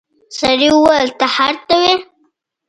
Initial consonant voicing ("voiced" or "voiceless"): voiceless